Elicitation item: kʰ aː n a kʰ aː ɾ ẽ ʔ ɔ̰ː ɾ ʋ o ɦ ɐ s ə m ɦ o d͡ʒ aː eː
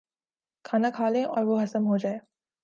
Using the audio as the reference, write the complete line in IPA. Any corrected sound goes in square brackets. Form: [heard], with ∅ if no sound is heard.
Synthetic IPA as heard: kʰ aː n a kʰ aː [l] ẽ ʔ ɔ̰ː ɾ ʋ o ɦ ɐ s ə m ɦ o d͡ʒ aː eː